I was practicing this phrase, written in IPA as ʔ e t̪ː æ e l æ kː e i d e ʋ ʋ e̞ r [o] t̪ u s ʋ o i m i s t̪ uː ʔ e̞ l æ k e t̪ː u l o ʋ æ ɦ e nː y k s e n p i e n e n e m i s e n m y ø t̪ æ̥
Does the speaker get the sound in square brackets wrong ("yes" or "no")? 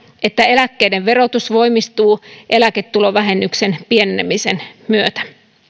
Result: no